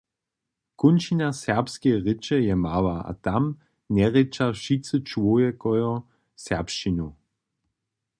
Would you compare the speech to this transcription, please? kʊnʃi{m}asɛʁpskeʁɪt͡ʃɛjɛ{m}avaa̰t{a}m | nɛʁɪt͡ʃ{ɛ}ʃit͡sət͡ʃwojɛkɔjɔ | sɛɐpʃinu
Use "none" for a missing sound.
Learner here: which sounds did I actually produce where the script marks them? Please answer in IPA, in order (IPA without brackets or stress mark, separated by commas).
n, m, a, a